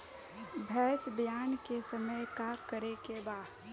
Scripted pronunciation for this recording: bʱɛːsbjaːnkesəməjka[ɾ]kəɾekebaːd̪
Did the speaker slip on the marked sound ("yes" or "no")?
yes